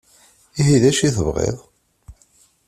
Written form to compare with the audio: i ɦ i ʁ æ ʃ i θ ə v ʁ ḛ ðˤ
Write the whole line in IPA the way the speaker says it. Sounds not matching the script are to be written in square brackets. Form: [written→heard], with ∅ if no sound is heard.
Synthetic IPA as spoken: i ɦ i [ʁ→ð] æ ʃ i θ ə v ʁ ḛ ðˤ

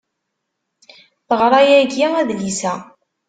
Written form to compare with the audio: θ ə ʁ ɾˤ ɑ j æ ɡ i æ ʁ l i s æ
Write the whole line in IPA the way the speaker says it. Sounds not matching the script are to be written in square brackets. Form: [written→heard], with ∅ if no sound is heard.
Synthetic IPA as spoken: θ ə ʁ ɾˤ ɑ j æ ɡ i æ [ʁ→ð] l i s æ

